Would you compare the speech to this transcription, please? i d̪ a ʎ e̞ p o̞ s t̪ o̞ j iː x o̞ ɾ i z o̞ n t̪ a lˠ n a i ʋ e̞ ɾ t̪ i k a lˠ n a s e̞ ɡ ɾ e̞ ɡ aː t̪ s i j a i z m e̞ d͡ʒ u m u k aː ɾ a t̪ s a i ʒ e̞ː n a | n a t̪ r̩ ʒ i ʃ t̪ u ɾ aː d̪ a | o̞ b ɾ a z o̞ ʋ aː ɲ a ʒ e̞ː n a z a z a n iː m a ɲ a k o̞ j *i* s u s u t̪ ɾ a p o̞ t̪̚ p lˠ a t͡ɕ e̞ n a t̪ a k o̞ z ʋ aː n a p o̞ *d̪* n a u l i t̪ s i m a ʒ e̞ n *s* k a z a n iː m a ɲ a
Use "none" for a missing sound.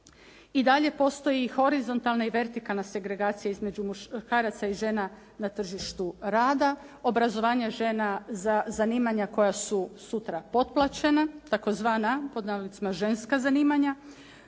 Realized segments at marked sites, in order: a, d̪, s

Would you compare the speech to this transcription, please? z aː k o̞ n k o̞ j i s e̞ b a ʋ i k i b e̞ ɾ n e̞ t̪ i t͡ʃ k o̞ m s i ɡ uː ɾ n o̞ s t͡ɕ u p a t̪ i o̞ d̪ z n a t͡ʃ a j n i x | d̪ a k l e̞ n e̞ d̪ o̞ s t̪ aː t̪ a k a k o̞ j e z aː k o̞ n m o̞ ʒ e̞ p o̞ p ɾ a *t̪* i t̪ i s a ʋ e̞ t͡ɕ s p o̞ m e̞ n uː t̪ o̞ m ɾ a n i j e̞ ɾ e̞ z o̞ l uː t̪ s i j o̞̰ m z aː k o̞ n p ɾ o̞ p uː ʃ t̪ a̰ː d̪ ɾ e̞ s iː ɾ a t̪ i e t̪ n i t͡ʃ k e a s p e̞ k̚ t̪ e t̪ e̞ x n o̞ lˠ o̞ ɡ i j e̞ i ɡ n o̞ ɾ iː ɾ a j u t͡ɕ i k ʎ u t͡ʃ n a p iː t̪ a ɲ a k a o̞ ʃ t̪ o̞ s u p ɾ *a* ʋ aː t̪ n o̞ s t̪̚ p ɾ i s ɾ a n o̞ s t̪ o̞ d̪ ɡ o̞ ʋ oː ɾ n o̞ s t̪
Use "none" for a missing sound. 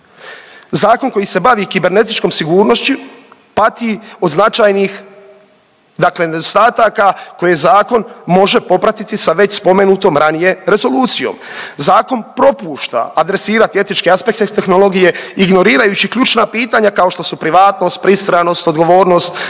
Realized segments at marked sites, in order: t̪, i

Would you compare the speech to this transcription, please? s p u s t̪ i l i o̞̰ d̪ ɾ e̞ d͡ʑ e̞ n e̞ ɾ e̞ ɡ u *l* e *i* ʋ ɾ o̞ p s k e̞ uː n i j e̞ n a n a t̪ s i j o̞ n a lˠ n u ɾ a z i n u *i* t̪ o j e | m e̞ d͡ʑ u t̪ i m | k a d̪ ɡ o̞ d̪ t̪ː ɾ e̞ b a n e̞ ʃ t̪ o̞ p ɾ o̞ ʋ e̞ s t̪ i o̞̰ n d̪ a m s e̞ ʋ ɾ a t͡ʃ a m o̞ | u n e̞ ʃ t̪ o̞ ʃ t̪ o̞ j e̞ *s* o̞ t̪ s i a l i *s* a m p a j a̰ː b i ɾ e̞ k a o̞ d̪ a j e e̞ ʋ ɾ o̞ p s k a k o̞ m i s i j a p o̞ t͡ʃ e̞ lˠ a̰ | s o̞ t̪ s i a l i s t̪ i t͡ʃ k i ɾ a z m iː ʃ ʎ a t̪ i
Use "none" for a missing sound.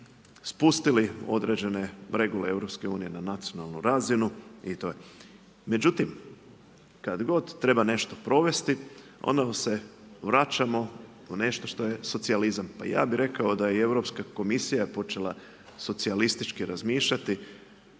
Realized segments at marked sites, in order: l, e, i, s, z

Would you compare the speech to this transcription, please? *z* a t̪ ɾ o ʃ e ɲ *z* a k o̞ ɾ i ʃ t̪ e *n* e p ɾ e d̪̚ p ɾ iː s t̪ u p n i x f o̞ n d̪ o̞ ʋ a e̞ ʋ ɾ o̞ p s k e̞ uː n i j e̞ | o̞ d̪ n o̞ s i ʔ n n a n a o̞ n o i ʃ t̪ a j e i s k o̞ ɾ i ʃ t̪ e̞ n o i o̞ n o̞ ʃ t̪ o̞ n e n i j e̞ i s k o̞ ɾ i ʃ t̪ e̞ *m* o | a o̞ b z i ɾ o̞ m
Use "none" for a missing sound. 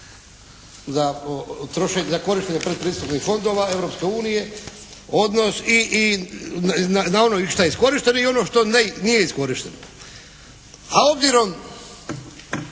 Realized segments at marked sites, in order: z, z, ɲ, n

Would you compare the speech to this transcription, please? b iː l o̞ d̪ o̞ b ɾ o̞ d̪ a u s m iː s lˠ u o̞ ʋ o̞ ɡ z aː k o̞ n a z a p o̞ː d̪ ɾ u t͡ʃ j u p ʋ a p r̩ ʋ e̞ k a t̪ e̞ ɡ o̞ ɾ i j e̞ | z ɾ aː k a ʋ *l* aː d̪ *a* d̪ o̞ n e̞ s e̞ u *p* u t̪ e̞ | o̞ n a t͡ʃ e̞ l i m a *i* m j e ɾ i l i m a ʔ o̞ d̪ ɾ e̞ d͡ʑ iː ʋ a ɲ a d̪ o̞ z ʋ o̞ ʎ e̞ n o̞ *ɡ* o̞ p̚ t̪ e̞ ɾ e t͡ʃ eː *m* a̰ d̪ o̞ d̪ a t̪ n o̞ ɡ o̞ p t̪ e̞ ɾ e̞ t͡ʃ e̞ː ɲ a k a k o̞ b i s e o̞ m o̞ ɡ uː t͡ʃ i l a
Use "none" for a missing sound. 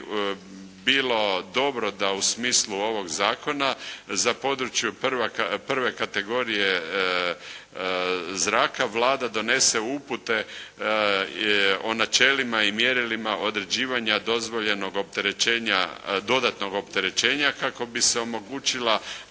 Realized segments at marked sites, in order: l, a, p, i, ɡ, ɲ

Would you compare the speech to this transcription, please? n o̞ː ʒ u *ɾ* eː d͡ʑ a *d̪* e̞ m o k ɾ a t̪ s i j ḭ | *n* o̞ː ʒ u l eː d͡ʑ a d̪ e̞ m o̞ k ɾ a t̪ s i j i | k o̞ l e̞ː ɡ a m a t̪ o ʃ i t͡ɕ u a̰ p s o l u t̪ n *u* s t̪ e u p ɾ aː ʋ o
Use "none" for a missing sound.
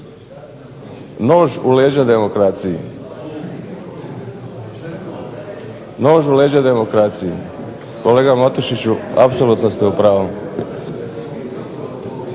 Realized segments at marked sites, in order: l, d̪, n, o

